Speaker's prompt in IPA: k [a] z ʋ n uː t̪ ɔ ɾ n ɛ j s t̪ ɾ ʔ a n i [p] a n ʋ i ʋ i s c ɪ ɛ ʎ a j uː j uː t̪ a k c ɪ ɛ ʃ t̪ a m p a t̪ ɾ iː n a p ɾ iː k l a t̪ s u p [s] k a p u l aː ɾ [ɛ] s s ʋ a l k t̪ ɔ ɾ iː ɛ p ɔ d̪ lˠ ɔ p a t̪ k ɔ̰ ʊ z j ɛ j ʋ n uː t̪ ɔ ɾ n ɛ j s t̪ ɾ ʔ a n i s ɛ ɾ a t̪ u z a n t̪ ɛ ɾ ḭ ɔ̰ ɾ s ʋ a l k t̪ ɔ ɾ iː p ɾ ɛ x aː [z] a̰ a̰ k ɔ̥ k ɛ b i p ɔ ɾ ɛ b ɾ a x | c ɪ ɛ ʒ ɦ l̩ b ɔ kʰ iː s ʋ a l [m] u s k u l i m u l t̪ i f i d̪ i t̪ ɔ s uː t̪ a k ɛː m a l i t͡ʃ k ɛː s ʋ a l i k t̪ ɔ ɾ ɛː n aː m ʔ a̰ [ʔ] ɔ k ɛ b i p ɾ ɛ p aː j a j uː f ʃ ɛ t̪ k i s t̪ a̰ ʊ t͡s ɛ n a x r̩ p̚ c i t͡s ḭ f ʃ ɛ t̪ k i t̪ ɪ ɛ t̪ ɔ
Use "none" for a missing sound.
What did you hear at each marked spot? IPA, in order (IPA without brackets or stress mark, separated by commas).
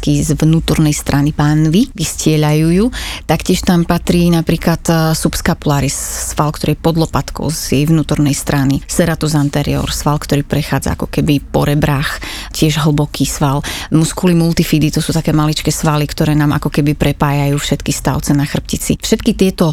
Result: i, p, s, i, d͡z, m, k